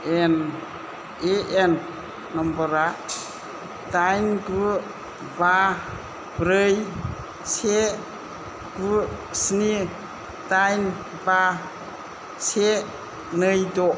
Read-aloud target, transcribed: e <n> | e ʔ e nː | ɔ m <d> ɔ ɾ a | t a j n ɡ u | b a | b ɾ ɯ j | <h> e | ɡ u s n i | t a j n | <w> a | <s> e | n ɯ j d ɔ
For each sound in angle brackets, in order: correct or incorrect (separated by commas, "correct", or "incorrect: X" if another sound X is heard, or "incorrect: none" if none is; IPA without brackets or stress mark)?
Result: correct, incorrect: b, incorrect: s, incorrect: b, correct